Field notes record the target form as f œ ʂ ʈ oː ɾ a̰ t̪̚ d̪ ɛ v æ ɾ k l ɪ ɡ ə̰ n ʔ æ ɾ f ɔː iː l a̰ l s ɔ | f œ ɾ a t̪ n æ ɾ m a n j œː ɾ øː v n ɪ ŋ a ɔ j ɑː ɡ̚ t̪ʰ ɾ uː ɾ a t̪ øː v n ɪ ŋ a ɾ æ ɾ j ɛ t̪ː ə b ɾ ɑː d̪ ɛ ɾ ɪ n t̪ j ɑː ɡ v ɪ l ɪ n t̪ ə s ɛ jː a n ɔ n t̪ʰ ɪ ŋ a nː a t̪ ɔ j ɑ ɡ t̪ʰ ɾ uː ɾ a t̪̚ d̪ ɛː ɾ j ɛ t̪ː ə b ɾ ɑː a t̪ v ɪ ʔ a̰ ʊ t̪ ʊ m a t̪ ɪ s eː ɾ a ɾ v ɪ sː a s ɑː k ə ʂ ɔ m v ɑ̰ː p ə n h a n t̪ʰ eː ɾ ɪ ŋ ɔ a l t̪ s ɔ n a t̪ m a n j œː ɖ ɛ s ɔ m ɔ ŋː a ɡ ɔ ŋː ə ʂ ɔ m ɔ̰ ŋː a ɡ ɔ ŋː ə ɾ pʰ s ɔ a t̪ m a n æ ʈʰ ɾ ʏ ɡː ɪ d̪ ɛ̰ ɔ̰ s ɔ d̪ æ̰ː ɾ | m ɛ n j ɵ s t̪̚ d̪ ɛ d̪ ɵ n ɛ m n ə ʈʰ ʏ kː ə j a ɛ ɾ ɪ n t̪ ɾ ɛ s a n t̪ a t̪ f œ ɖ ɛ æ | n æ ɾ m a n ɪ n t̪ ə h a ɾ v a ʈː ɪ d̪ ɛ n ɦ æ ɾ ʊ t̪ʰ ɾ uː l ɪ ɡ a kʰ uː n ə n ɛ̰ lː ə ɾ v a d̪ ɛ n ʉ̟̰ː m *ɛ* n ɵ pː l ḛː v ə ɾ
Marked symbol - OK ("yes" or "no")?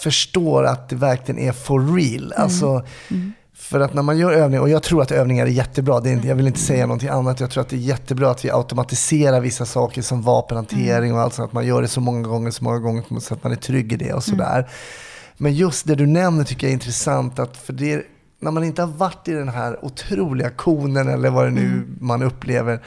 no